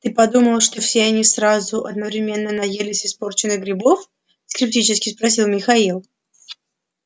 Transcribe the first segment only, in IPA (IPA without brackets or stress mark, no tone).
t̪